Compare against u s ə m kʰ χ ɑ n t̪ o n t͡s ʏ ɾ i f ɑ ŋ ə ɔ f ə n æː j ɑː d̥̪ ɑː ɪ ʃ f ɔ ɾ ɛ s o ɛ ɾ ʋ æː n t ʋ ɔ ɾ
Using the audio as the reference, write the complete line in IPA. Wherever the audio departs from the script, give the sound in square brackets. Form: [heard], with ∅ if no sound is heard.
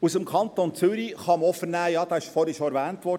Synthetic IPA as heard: u s ə m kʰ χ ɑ n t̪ o n t͡s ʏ ɾ i [χ] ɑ [m] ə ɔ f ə n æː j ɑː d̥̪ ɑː ɪ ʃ f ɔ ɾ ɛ [ʃ] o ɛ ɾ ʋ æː n t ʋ ɔ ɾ